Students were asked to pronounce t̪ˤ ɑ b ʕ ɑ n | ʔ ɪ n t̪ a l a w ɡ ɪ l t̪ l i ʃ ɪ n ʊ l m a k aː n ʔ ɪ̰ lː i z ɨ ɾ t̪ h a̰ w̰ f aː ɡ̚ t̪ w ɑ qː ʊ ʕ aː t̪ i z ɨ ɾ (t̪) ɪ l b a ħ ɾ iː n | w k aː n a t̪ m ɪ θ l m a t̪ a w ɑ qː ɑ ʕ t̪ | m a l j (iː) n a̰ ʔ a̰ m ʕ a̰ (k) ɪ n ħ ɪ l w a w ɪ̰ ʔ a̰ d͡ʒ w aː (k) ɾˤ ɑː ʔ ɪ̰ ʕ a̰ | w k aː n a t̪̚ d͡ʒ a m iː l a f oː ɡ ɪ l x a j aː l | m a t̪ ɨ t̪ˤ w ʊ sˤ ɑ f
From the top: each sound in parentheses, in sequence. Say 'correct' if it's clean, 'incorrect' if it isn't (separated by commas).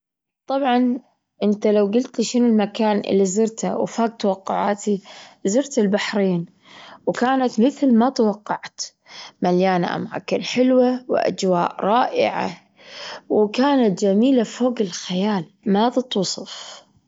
correct, incorrect, correct, incorrect